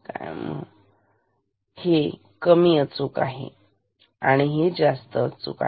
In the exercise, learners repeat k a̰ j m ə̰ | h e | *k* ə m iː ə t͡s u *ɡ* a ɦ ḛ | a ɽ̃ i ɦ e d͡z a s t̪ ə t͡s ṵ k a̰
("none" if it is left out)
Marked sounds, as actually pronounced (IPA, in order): k, k

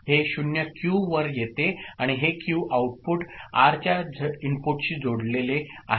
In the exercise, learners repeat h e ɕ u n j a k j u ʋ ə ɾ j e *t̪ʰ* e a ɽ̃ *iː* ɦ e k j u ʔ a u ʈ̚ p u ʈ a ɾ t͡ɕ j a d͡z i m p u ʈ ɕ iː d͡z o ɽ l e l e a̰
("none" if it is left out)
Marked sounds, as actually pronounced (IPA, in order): t̪, i

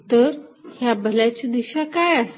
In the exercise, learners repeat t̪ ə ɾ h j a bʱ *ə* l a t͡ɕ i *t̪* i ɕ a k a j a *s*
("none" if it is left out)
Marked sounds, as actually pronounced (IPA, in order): ə, d̪, s

